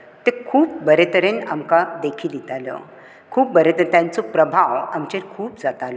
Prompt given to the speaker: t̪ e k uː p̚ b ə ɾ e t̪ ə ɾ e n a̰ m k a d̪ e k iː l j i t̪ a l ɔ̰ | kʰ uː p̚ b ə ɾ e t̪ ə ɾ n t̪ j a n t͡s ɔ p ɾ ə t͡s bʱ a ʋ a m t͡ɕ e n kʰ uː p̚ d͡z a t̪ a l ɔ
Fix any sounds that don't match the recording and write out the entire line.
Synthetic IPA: t̪ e kʰ uː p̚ b ə ɾ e t̪ ə ɾ e n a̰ m k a d̪ e kʰ iː l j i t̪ a l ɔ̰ | kʰ uː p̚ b ə ɾ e t̪ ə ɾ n t̪ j a n t͡s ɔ p ɾ ə bʱ a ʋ a m t͡ɕ e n kʰ uː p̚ d͡z a t̪ a l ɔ